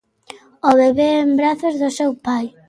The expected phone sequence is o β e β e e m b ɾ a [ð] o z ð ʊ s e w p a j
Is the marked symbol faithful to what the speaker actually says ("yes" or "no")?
no